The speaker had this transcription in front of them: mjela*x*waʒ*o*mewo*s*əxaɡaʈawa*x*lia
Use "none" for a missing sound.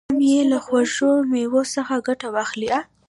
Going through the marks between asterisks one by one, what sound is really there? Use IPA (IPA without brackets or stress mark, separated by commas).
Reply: x, o, s, x